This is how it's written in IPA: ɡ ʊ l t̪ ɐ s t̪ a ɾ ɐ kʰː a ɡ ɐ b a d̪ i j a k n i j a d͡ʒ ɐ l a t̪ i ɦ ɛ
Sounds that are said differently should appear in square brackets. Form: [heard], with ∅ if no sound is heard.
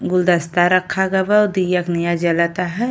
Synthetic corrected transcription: ɡ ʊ l [d̪] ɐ s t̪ a ɾ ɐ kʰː a ɡ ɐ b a d̪ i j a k n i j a d͡ʒ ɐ l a t̪ [a] ɦ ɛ